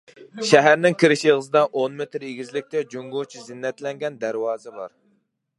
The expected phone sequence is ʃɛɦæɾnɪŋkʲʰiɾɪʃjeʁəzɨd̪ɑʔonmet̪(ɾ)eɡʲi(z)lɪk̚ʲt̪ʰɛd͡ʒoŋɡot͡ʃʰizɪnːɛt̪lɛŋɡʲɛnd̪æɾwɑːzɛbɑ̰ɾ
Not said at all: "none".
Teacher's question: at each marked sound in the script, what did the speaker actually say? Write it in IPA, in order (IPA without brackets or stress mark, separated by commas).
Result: ɾ, z